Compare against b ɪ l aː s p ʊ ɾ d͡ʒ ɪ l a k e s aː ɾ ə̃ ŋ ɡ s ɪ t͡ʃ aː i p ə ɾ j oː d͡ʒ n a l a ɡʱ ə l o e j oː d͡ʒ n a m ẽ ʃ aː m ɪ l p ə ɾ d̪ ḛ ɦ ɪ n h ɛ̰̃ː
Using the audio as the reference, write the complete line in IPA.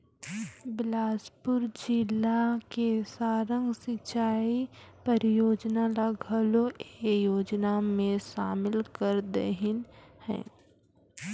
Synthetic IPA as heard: b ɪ l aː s p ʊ ɾ d͡ʒ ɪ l a k e s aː ɾ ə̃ ŋ ɡ s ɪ t͡ʃ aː i p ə ɾ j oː d͡ʒ n a l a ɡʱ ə l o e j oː d͡ʒ n a m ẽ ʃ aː m ɪ l k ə ɾ d̪ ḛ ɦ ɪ n h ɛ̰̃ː